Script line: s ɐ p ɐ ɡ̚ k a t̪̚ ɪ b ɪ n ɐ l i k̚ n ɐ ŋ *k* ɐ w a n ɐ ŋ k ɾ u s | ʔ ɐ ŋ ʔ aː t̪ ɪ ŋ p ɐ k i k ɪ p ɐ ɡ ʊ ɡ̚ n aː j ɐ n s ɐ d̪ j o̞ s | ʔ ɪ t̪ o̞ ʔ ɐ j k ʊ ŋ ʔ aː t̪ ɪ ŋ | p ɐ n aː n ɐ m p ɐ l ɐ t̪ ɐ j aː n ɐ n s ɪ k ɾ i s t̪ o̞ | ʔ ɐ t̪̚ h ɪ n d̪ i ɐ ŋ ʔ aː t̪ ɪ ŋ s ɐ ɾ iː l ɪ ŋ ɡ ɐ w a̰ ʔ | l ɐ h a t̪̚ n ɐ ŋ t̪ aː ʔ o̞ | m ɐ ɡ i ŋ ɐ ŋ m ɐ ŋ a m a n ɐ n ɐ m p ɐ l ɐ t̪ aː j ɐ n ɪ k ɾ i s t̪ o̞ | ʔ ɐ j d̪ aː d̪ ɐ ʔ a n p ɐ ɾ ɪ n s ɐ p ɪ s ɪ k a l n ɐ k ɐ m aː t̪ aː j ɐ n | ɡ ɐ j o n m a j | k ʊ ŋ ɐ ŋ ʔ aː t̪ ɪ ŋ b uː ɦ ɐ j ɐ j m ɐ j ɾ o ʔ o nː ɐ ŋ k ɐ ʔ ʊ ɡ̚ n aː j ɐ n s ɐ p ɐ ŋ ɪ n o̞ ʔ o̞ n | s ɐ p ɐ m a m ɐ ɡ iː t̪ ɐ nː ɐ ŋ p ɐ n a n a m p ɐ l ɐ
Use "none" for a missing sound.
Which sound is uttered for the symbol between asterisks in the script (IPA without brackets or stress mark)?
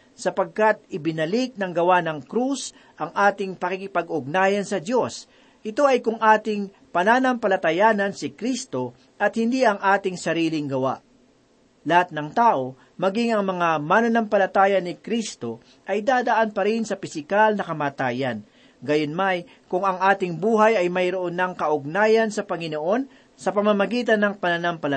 ɡ